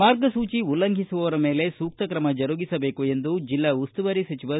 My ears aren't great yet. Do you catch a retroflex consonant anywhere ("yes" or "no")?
no